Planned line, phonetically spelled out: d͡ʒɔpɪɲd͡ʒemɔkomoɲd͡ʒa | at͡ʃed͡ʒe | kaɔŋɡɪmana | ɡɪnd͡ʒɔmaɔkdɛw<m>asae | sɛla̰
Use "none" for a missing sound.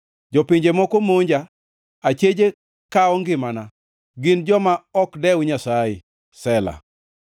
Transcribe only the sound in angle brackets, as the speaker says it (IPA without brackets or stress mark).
ɲ